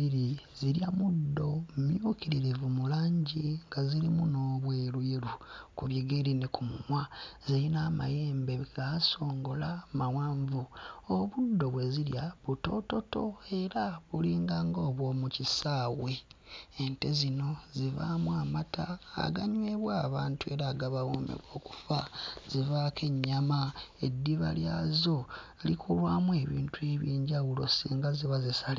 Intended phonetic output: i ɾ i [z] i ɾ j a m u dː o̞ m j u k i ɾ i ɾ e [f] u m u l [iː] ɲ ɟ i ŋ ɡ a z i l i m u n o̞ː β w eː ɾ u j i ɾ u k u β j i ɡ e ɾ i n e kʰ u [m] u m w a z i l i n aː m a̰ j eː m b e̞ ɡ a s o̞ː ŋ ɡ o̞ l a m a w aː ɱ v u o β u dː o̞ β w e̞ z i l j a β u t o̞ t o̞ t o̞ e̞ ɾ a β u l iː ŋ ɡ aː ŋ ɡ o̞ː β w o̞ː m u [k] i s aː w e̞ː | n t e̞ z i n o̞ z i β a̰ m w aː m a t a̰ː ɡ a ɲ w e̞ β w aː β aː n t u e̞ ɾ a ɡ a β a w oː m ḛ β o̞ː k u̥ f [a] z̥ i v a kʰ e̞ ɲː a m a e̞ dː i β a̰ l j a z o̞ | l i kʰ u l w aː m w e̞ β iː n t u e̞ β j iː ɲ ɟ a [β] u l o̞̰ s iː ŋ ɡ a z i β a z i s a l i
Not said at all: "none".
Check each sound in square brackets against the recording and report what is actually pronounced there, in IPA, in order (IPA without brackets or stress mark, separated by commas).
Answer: z, v, aː, m, c, a, w